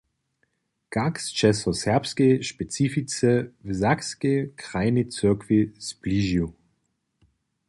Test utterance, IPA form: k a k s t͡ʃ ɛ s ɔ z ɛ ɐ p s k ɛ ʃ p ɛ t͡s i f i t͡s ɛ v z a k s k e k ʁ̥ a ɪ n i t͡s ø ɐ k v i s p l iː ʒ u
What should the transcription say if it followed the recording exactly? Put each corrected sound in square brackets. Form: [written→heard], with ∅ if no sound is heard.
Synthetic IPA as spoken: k a k s t͡ʃ ɛ s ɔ [z→s] ɛ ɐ p s k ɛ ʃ p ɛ t͡s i f i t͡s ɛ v z a k s k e k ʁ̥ a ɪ n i t͡s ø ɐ k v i s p l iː ʒ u